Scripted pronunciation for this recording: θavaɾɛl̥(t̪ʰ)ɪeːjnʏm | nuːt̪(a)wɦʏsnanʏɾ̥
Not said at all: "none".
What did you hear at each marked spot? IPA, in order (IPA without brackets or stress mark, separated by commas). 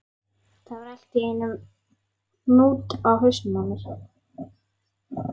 t̪, a